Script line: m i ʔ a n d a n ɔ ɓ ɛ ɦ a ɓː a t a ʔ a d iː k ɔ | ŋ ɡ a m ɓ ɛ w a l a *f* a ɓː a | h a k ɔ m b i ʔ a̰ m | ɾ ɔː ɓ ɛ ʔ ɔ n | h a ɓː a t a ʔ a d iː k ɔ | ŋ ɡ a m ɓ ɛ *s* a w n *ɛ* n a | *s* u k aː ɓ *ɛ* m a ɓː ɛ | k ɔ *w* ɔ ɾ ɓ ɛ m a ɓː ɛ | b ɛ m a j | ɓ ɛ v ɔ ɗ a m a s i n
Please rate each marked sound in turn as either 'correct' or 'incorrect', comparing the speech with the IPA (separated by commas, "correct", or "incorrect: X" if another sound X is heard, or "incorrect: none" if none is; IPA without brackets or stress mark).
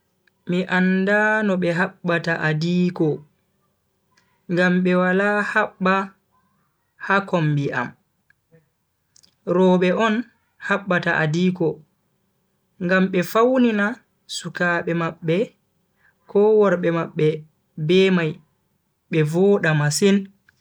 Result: incorrect: h, incorrect: f, incorrect: i, correct, correct, correct